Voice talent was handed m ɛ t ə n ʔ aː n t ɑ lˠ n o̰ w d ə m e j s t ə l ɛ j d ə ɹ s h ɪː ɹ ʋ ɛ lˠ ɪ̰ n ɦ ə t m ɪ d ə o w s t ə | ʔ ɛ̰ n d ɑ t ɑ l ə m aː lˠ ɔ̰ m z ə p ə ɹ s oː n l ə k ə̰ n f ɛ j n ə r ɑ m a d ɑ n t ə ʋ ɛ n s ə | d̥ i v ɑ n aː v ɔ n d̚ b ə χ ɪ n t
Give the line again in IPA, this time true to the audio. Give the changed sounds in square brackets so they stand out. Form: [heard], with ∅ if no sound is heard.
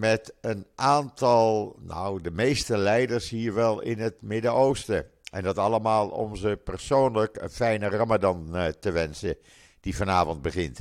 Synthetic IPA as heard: m ɛ t ə n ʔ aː n t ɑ lˠ n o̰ w d ə m e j s t ə l ɛ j d ə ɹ s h [iː] ɹ ʋ ɛ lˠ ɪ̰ n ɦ ə t m ɪ d ə o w s t ə | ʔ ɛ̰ n d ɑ t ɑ l ə m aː lˠ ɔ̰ m z ə p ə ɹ s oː n l ə k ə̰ n f ɛ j n ə r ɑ m a d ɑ n t ə ʋ ɛ n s ə | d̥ i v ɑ n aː v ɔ n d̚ b ə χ ɪ n t